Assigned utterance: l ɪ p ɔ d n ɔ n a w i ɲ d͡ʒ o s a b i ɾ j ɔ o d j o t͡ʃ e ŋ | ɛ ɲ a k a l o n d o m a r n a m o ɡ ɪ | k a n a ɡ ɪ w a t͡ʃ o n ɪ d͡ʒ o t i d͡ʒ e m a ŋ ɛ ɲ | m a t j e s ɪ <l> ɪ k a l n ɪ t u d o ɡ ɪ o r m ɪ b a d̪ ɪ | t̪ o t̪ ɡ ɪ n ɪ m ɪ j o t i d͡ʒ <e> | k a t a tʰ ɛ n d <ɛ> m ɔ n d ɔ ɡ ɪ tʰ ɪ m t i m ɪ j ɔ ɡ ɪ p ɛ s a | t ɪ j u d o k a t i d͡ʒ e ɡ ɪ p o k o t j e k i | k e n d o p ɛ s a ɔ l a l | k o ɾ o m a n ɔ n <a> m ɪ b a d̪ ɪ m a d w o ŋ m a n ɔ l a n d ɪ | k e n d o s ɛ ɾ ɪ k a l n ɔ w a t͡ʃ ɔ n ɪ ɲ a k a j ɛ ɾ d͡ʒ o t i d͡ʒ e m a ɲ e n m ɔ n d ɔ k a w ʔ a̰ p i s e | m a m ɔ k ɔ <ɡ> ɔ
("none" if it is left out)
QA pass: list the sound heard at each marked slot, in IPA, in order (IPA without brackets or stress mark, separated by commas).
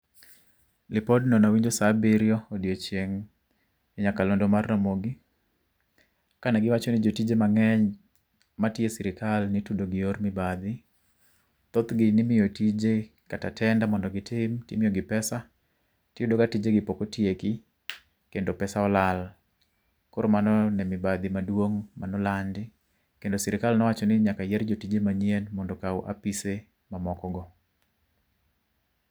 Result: ɾ, e, a, ɛ, ɡ